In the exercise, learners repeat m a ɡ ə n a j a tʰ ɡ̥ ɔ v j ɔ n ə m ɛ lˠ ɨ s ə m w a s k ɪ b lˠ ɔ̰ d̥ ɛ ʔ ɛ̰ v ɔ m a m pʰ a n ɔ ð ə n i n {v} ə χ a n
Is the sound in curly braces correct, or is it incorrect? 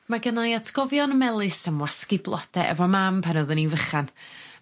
correct